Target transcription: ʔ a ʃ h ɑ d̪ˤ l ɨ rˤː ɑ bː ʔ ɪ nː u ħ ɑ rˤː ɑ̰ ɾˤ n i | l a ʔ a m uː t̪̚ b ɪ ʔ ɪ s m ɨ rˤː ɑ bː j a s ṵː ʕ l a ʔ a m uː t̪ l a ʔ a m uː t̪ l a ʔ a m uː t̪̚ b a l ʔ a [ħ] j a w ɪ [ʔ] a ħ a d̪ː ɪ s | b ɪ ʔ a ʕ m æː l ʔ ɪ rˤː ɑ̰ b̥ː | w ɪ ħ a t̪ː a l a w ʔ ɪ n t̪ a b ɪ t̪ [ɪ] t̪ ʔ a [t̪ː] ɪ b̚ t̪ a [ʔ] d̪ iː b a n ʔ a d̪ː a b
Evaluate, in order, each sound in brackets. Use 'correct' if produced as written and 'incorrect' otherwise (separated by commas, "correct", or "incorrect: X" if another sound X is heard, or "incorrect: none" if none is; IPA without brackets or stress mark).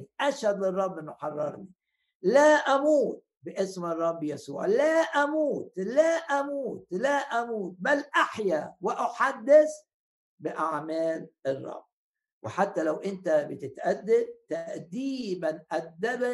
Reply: correct, correct, correct, incorrect: d̪ː, correct